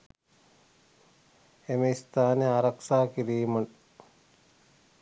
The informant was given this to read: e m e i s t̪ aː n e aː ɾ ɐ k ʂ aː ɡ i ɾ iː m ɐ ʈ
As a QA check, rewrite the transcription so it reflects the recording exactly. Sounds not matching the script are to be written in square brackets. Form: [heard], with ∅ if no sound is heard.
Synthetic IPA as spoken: e m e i s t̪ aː n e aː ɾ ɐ k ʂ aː [k] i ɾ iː m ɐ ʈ